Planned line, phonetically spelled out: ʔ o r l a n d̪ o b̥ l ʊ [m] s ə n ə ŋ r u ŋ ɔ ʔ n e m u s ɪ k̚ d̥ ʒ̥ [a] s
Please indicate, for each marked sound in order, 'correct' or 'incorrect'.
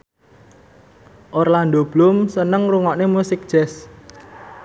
correct, incorrect: ɛ

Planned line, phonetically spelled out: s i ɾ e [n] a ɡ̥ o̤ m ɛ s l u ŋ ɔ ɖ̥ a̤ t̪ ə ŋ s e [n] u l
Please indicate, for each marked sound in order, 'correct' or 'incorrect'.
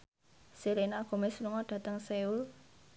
correct, incorrect: none

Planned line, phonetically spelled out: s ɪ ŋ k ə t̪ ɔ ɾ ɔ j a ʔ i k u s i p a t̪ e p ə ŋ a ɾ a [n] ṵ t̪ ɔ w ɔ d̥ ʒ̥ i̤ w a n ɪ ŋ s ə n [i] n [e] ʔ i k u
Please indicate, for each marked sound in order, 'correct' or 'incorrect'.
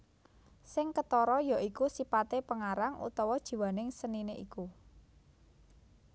incorrect: ŋ, correct, correct

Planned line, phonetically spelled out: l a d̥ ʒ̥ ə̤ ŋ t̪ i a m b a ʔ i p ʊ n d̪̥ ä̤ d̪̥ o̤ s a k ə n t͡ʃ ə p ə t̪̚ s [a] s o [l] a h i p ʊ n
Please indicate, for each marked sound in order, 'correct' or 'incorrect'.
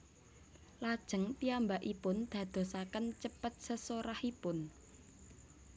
incorrect: ə, incorrect: ɾ

